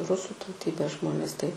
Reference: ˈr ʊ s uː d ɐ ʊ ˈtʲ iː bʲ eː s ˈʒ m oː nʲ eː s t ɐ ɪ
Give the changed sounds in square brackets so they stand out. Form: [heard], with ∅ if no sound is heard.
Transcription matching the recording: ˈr ʊ s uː [t] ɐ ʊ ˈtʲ iː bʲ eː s ˈʒ m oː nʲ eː s t ɐ ɪ